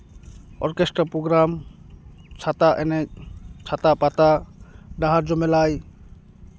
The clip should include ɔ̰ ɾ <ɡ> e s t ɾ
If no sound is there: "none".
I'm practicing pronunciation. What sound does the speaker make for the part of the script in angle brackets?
k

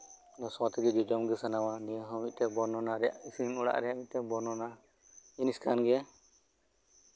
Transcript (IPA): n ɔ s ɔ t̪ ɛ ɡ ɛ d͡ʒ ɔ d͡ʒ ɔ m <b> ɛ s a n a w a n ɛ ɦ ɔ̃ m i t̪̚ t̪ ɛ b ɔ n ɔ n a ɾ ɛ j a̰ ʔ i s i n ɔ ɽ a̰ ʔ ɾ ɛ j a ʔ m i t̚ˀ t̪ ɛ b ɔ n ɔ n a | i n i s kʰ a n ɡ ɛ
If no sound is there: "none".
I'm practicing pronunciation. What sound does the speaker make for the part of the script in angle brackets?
ɡ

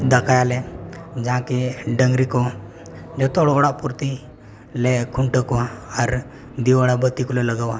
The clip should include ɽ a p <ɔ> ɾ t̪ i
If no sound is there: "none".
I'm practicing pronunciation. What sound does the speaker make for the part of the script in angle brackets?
u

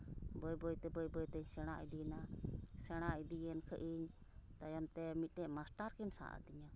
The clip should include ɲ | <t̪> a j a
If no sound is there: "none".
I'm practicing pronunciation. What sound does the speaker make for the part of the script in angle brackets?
t̪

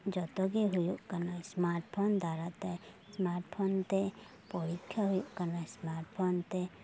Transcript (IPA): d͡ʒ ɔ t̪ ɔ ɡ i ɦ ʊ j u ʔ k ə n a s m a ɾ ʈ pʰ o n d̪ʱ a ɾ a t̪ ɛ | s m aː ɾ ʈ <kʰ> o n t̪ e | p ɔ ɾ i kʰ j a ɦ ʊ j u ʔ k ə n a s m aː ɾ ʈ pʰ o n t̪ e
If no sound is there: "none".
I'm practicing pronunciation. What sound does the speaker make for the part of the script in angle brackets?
pʰ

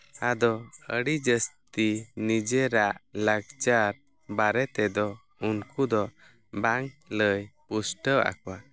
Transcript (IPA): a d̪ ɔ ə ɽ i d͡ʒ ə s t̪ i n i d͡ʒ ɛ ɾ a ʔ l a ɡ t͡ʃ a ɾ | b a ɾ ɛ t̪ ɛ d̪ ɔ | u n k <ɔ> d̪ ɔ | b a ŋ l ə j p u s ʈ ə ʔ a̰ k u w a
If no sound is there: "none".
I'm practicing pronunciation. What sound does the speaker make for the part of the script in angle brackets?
u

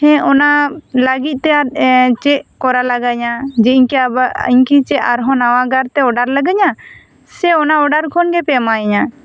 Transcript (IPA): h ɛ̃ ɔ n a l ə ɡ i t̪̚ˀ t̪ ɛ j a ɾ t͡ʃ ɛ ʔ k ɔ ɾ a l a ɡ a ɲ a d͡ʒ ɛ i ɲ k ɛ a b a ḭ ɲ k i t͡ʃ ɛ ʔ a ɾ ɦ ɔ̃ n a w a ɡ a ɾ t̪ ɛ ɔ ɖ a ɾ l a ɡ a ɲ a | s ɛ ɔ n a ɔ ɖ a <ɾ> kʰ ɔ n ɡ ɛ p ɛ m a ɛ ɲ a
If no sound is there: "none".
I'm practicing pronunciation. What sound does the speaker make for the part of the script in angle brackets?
ɾ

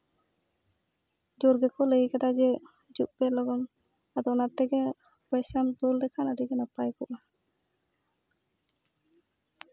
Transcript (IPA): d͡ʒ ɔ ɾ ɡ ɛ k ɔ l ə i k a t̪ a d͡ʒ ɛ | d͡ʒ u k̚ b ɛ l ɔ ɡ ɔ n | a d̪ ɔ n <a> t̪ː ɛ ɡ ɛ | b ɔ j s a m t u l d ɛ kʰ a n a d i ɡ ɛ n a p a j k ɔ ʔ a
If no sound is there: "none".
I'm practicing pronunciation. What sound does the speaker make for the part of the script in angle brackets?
a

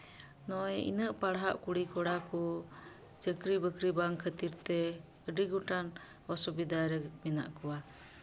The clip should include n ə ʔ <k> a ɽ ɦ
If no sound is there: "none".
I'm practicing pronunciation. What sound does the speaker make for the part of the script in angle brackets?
p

